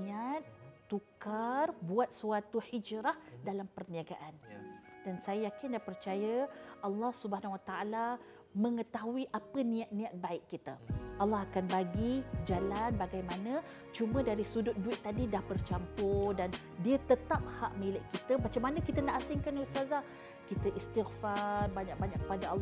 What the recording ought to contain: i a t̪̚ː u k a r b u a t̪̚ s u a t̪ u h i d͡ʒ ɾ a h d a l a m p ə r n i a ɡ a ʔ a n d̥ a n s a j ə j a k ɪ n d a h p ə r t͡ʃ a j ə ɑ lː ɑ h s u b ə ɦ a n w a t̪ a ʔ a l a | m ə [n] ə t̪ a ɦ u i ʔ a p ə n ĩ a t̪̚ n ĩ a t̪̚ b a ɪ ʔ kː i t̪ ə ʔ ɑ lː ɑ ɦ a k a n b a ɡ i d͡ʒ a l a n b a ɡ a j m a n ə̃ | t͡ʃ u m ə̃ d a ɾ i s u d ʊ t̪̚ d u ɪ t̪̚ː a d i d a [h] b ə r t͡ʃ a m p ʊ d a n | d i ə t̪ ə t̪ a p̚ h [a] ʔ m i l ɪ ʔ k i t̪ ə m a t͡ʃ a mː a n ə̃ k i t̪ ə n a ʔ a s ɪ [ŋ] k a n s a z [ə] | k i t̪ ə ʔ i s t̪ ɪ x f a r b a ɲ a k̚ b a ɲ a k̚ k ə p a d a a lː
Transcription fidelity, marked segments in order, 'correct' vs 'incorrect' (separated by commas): incorrect, correct, correct, correct, incorrect